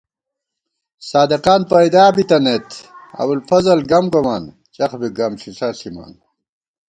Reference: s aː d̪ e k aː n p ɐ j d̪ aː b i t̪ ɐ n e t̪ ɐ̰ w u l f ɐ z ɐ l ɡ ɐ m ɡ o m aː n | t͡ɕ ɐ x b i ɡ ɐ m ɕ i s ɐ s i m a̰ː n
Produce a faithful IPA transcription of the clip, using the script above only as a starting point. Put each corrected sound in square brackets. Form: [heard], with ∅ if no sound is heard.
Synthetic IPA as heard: s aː d̪ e [q] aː n p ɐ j d̪ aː b i t̪ ɐ n e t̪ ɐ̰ w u l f ɐ z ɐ l ɡ ɐ m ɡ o m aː n | t͡ɕ ɐ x b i ɡ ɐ m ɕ i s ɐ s i m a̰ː n